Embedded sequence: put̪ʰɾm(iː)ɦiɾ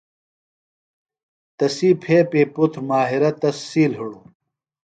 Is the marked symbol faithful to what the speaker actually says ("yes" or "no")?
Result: no